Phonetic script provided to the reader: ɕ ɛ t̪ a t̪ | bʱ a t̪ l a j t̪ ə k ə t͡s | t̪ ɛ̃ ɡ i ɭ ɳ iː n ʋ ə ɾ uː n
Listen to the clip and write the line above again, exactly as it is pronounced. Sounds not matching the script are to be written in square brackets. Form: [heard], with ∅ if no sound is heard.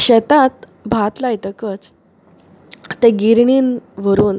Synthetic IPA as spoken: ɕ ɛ t̪ a t̪ | bʱ a t̪ l a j t̪ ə k ə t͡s | t̪ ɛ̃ ɡ i [ɾ] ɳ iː n ʋ ə ɾ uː n